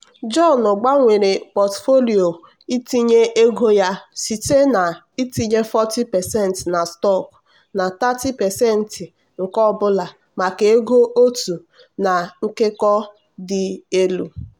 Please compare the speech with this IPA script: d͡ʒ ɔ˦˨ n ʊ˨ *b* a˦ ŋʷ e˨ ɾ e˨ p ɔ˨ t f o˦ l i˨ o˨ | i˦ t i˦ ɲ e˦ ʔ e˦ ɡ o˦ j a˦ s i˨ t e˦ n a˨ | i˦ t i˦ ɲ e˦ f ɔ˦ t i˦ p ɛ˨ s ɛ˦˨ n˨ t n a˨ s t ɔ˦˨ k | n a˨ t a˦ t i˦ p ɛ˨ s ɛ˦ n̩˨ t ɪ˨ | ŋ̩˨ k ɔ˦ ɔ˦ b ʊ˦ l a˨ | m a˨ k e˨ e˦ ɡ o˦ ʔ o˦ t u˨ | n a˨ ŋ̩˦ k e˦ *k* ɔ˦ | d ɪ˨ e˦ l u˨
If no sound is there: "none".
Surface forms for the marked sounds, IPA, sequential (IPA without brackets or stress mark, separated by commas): ɡ͡b, k